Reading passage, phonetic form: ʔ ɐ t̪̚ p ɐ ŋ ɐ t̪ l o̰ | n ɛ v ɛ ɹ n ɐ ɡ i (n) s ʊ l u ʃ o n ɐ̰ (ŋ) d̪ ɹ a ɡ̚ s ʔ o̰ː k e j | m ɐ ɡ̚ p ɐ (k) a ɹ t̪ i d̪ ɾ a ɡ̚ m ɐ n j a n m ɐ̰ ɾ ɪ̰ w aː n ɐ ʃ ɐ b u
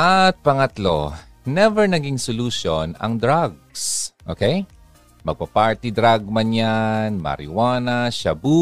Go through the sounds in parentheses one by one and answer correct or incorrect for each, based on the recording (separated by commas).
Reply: incorrect, correct, incorrect